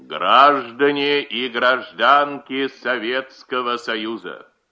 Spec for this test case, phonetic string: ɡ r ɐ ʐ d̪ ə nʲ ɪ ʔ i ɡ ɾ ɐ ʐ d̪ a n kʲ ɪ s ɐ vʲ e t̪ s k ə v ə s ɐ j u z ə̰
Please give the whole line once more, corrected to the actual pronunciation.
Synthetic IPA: ɡ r a ʐ d̪ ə nʲ ɪ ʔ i ɡ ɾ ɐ ʐ d̪ a n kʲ ɪ s ɐ vʲ e t̪ s k ə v ə s ɐ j u z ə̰